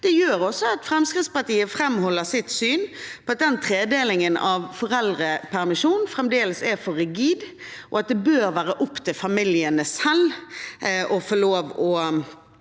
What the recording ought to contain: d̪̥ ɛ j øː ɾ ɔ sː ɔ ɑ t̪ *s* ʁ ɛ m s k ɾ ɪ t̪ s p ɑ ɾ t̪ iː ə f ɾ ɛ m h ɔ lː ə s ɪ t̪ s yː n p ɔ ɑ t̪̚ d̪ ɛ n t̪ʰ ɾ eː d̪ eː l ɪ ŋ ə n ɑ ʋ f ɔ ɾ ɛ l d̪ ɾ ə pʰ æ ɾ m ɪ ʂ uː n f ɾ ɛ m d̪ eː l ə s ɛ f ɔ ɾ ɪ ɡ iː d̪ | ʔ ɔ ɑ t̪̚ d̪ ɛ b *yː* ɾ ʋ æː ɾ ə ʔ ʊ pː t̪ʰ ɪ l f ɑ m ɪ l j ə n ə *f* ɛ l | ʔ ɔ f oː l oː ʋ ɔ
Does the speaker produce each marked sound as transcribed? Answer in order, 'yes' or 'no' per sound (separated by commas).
no, no, no